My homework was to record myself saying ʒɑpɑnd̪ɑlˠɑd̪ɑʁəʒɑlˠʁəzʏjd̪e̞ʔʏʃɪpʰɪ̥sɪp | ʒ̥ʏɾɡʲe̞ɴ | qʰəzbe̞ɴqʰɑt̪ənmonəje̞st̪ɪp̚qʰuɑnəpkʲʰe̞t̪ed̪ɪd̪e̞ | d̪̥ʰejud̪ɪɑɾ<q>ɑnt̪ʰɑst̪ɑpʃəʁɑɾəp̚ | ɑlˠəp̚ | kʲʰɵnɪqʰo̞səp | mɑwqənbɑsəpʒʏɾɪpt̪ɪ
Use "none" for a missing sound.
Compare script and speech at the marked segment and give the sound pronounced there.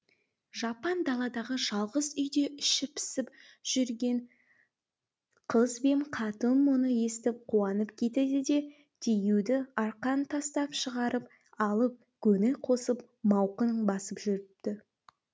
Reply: q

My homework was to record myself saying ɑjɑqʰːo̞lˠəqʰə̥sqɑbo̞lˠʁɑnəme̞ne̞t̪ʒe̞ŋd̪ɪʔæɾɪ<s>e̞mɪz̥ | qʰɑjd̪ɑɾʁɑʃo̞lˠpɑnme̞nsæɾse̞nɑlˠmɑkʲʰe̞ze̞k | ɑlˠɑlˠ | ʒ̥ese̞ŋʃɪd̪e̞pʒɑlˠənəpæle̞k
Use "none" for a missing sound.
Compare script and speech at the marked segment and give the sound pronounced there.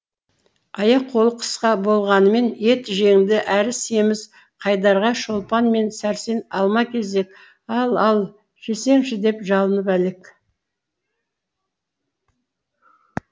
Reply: s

